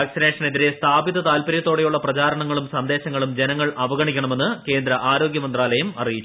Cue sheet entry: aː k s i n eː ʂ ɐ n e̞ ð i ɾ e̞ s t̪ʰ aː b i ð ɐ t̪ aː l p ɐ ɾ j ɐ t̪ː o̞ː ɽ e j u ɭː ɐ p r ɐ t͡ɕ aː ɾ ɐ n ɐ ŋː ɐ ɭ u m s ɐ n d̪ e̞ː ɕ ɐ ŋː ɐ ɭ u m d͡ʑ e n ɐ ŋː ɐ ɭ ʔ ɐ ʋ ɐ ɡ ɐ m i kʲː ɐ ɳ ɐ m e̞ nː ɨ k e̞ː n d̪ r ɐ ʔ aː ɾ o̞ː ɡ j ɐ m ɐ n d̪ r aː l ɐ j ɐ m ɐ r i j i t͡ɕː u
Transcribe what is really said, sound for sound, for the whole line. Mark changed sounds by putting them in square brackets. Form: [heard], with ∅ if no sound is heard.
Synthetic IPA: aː k s i n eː ʂ ɐ n e̞ ð i ɾ e̞ s t̪ʰ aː b i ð ɐ t̪ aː l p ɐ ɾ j ɐ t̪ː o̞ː ɽ e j u ɭː ɐ p r ɐ t͡ɕ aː ɾ ɐ [ɳ] ɐ ŋː ɐ ɭ u m s ɐ n d̪ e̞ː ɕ ɐ ŋː ɐ ɭ u m d͡ʑ e n ɐ ŋː ɐ ɭ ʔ ɐ ʋ ɐ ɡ ɐ [ɳ] i kʲː ɐ ɳ ɐ m e̞ nː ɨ k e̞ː n d̪ [ɾ] ɐ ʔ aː ɾ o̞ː ɡ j ɐ m ɐ n d̪ r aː l ɐ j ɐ m ɐ r i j i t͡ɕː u